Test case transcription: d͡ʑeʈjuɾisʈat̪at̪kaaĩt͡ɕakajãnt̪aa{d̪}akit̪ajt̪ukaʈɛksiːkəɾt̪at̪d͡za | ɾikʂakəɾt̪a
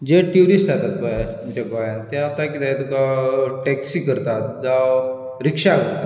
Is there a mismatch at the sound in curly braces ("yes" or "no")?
yes